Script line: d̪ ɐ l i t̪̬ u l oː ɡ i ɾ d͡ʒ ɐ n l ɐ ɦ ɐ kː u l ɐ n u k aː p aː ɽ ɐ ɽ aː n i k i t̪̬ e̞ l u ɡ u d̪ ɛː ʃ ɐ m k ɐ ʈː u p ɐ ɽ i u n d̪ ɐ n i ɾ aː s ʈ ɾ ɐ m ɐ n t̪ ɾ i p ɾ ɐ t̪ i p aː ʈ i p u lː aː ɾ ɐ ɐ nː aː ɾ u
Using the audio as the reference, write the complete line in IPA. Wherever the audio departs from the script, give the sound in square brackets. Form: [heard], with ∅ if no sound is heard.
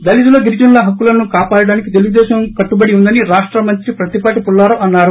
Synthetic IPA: d̪ ɐ l i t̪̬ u l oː ɡ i ɾ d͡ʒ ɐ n l ɐ ɦ ɐ kː u l ɐ n u k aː p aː ɽ ɐ ɽ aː n i k i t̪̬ e̞ l u ɡ u d̪ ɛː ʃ ɐ m k ɐ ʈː u [b] ɐ ɽ i u n d̪ ɐ n i ɾ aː [ʂ] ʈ ɾ ɐ m ɐ n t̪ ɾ i p ɾ ɐ t̪ i p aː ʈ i p u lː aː ɾ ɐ ɐ nː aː ɾ u